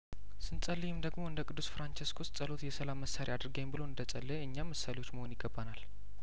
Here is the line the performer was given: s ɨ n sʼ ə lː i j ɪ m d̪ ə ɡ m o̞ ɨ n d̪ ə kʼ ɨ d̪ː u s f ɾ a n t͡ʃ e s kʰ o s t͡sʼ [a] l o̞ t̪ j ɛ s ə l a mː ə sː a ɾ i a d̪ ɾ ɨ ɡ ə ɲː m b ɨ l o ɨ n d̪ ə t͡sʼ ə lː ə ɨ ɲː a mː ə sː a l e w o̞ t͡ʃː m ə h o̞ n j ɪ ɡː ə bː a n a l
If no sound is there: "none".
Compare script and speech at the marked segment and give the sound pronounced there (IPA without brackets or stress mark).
ə